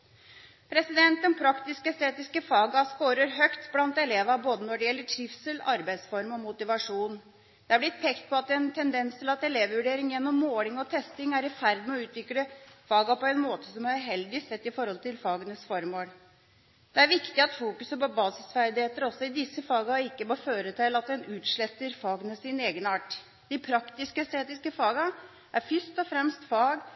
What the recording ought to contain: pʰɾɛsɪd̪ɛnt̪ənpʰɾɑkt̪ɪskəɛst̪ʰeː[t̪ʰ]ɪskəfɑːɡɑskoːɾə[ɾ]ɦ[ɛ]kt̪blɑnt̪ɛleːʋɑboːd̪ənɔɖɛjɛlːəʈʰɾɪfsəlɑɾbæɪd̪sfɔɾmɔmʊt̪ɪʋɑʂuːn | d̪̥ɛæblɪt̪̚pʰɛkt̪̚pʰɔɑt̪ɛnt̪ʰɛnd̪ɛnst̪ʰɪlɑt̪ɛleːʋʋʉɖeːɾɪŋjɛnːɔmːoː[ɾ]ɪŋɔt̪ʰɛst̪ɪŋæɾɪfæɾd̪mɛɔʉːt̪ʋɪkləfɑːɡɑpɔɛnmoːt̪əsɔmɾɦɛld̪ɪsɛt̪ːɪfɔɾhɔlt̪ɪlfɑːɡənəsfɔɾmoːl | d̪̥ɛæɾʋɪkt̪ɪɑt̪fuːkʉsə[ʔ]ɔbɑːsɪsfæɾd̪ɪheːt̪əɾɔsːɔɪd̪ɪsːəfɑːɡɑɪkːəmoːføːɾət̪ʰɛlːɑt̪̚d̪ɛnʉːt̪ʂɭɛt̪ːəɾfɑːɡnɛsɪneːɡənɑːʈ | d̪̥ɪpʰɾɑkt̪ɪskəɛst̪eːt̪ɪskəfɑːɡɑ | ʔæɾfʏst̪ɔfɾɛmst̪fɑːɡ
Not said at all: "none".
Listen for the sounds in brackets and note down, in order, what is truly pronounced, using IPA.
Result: t̪, ɾ, œ, l, p

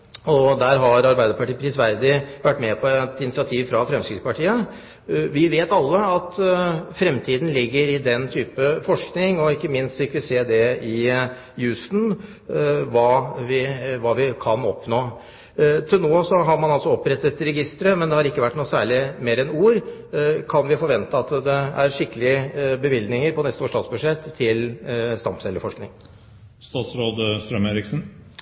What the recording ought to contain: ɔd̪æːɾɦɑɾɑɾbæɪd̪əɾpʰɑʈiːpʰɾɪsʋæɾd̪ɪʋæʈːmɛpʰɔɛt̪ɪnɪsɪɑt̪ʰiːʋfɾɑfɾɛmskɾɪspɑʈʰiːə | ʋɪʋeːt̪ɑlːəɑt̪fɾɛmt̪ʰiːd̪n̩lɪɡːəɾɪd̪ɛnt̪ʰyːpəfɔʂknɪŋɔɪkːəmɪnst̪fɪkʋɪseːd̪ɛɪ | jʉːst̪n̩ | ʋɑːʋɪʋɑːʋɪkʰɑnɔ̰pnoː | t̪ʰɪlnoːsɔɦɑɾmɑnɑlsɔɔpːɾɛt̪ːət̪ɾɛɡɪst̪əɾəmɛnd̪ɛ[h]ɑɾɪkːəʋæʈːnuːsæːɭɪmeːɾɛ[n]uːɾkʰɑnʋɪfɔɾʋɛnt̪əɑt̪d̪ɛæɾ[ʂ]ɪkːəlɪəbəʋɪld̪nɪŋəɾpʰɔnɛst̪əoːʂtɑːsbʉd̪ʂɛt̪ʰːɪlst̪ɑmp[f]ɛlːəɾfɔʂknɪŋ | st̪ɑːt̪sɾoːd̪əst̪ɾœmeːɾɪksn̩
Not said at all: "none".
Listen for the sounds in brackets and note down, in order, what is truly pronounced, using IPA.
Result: h, n, ʂ, s

